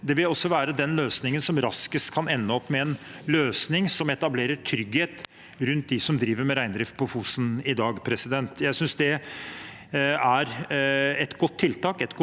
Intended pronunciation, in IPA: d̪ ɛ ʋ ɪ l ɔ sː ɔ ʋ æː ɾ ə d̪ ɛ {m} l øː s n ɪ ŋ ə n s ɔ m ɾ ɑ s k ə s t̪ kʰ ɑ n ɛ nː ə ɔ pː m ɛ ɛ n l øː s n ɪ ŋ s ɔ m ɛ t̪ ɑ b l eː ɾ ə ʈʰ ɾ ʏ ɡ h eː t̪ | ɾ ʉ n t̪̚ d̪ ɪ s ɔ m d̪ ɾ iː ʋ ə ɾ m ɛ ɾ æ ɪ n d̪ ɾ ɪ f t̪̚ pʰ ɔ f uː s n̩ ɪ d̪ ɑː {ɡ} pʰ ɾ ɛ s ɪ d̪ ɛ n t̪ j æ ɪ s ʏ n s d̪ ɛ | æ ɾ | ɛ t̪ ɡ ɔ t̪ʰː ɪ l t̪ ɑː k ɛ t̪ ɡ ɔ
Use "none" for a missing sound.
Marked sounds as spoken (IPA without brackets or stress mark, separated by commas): n, ɡ